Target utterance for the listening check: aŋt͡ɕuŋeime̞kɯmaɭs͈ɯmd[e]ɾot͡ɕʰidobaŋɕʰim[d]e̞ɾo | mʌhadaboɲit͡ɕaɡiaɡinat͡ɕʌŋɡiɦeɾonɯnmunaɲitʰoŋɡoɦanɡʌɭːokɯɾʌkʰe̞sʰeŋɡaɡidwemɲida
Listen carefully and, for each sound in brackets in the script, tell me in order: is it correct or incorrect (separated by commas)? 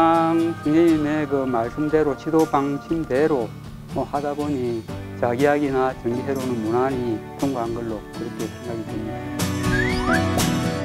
correct, correct